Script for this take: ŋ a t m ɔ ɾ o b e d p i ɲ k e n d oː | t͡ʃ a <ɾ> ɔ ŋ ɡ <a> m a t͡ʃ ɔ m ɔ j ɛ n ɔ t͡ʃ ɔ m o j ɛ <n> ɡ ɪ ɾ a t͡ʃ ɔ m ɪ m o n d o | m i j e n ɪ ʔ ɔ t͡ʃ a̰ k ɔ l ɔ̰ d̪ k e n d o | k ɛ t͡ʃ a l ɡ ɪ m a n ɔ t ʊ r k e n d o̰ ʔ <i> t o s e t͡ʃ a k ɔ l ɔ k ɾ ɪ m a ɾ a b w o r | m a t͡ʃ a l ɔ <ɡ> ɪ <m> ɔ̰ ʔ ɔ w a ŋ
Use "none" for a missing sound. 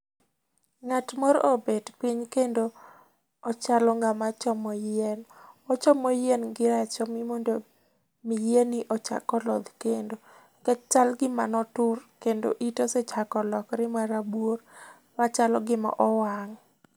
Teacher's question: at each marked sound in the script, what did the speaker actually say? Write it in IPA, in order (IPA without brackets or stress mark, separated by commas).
l, a, n, i, ɡ, m